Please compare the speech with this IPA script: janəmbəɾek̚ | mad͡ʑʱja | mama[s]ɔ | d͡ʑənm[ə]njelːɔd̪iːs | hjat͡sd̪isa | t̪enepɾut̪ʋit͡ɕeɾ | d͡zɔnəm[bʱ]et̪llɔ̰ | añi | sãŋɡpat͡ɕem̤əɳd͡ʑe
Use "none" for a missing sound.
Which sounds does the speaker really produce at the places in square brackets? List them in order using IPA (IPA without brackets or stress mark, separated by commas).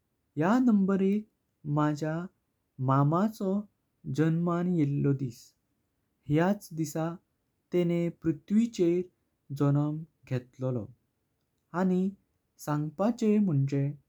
t͡s, a, ɡʱ